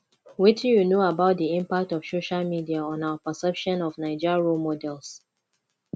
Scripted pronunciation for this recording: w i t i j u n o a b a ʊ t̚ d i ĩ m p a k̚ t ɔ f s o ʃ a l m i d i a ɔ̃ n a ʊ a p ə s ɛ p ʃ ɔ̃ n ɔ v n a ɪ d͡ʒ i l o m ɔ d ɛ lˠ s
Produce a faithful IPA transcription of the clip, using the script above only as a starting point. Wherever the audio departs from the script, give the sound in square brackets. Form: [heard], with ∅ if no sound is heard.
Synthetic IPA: w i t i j u n o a b a ʊ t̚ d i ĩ m p a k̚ t ɔ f s o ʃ a l m i d i a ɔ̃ n a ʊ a p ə s ɛ p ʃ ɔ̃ n ɔ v n a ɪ d͡ʒ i [ɹ] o m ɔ d ɛ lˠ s